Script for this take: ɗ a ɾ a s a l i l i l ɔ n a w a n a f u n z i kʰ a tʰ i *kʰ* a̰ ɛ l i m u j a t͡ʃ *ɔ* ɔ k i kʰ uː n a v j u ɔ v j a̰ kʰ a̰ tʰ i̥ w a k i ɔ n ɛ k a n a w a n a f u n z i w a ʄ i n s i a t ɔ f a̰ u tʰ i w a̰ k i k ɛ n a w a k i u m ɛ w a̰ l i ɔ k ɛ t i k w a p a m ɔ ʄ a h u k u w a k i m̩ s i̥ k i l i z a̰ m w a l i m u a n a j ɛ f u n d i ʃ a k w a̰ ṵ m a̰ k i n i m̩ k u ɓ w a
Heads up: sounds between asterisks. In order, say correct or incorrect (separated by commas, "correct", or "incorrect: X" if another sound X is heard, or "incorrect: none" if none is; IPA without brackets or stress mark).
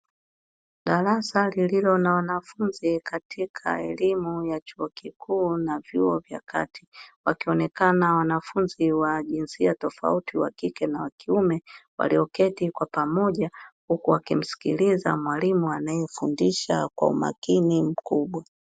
correct, incorrect: u